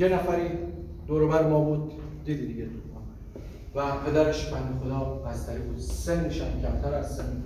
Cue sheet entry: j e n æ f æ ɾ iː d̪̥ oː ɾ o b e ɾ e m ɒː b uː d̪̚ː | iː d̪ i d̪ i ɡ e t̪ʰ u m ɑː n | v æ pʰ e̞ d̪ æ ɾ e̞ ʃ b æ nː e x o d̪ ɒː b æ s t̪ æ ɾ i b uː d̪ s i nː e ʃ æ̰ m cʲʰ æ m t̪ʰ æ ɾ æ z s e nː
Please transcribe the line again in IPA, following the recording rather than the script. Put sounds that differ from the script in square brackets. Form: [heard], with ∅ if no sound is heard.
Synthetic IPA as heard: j e n æ f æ ɾ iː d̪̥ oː ɾ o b [æ] ɾ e m ɒː b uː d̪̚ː | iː d̪ i d̪ i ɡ e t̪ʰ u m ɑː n | v æ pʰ e̞ d̪ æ ɾ e̞ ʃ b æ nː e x o d̪ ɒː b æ s t̪ æ ɾ i b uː d̪ s [e] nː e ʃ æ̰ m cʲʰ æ m t̪ʰ æ ɾ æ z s e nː